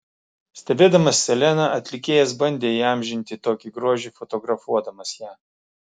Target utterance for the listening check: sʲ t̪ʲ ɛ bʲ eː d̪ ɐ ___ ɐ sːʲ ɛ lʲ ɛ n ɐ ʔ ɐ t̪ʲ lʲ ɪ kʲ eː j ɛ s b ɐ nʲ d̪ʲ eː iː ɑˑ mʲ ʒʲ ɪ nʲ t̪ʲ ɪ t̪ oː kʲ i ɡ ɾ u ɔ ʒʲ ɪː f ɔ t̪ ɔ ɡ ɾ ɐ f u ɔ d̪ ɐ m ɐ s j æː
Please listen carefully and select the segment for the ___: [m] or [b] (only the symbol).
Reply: m